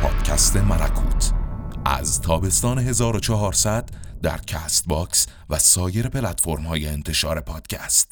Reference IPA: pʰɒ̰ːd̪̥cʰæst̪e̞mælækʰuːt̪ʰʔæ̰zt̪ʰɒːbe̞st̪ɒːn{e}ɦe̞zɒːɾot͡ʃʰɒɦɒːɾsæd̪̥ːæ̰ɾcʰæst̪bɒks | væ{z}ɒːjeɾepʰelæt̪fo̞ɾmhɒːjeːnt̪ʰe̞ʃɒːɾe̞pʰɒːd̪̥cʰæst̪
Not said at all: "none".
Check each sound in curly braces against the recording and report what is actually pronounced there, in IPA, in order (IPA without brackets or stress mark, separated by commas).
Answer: e, s